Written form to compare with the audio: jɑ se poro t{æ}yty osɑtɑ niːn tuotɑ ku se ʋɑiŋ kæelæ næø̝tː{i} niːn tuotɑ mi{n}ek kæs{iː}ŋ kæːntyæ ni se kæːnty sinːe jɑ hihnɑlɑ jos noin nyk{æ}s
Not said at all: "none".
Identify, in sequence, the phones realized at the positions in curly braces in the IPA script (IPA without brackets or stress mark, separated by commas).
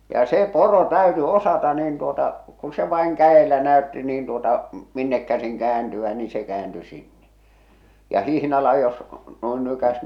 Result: æ, i, nː, i, æ